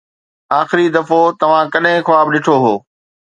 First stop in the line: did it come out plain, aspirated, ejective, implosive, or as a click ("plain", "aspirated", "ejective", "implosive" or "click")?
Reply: plain